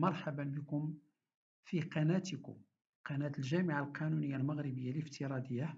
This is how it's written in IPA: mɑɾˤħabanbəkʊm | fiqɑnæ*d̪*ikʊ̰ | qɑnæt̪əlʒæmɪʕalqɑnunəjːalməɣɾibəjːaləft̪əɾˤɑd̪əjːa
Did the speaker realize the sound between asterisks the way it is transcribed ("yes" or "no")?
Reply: no